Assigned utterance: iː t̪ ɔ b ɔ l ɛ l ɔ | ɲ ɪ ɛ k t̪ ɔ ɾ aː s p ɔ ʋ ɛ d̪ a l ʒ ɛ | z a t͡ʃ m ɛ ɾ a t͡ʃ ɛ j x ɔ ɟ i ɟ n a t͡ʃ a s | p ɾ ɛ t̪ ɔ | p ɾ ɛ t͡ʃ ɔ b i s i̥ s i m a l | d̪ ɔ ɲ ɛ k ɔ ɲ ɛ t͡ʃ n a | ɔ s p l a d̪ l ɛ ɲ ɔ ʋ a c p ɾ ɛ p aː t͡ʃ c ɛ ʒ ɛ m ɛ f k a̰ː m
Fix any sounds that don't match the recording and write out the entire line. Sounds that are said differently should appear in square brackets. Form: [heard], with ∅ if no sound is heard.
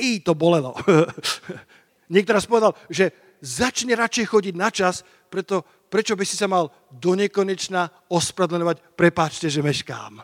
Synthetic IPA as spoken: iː t̪ ɔ b ɔ l ɛ l ɔ | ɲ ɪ ɛ k t̪ ɔ ɾ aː s p ɔ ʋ ɛ d̪ a l ʒ ɛ | z a t͡ʃ [ɲ] ɛ ɾ a t͡ʃ ɛ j x ɔ ɟ i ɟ n a t͡ʃ a s | p ɾ ɛ t̪ ɔ | p ɾ ɛ t͡ʃ ɔ b i s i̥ s [a] m a l | d̪ ɔ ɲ ɛ k ɔ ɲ ɛ t͡ʃ n a | ɔ s p [ɾ] a d̪ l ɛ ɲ ɔ ʋ a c p ɾ ɛ p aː t͡ʃ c ɛ ʒ ɛ m ɛ [ʃ] k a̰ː m